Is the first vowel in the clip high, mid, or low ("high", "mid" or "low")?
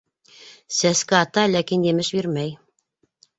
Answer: low